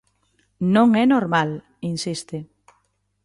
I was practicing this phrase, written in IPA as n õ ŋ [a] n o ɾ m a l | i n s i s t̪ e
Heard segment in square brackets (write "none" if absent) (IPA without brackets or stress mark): ɛ